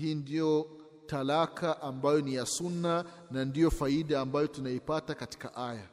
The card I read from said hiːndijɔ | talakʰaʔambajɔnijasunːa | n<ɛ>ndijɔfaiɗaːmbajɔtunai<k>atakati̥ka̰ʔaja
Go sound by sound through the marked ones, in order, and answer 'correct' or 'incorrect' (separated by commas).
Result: incorrect, incorrect